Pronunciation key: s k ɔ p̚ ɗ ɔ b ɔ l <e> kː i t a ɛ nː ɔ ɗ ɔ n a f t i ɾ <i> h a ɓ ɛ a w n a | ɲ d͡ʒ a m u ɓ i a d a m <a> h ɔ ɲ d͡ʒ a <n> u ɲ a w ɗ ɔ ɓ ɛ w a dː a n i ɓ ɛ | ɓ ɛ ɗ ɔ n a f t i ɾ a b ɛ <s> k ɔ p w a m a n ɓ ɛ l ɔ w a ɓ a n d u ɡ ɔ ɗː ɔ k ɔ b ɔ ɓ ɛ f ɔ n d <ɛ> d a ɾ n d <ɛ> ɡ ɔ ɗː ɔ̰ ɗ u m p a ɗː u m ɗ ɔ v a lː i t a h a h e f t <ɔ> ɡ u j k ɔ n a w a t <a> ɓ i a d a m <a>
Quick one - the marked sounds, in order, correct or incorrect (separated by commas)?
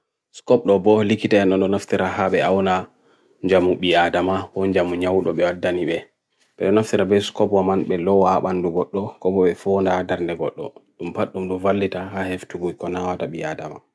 incorrect, incorrect, correct, incorrect, correct, incorrect, correct, incorrect, correct, correct